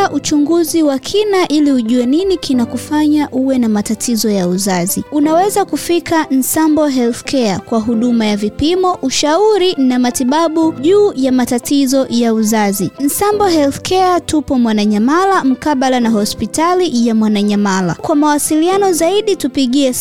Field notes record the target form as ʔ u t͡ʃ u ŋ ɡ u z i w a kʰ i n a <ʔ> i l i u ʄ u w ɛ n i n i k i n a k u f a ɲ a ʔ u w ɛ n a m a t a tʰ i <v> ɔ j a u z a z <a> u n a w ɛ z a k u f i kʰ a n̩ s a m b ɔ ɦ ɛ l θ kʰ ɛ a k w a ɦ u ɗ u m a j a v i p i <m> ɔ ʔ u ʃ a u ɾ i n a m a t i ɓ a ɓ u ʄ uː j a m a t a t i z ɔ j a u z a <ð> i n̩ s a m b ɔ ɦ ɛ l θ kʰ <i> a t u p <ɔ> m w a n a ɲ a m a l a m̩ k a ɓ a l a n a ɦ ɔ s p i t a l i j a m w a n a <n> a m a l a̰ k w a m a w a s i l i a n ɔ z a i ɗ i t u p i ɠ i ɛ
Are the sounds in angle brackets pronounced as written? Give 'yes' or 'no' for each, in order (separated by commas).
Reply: yes, no, no, yes, no, no, yes, no